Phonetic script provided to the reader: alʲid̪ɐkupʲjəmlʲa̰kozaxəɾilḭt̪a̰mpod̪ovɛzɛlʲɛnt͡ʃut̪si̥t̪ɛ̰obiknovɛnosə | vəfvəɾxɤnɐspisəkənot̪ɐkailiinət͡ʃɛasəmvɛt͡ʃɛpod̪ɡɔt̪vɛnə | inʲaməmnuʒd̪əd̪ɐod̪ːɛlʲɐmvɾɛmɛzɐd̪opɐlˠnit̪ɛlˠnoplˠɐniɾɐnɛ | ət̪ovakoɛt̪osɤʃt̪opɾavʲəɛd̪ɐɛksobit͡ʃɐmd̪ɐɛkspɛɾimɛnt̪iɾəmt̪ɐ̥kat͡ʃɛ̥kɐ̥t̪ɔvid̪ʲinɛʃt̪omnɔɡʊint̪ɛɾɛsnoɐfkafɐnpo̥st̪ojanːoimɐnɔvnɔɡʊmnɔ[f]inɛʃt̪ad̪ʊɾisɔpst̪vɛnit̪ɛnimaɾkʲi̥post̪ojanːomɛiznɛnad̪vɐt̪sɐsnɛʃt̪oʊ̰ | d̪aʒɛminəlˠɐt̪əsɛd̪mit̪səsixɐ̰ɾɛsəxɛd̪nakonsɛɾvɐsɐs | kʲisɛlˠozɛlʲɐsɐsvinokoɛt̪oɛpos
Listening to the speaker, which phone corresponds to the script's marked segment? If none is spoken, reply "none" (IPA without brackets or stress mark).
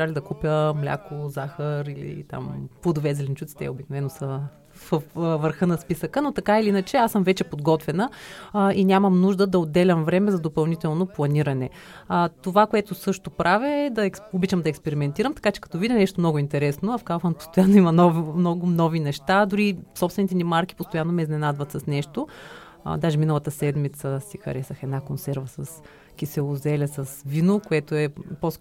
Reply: v